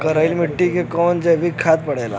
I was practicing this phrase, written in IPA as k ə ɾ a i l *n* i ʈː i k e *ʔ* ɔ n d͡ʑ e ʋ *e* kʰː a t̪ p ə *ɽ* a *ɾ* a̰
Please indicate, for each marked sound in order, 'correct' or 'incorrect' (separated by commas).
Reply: incorrect, incorrect, incorrect, correct, incorrect